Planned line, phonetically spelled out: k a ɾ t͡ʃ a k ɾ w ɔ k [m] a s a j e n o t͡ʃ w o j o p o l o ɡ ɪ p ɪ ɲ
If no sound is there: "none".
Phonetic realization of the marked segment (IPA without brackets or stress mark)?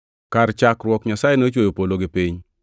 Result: ɲ